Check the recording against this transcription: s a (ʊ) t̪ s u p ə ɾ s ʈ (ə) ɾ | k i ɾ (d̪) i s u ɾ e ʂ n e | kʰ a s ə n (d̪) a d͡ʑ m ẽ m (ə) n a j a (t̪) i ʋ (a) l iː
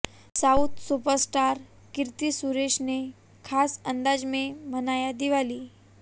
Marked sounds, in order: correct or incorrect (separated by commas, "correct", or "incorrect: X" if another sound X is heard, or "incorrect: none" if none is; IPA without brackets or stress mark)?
incorrect: u, incorrect: a, incorrect: t̪, correct, correct, incorrect: d̪, correct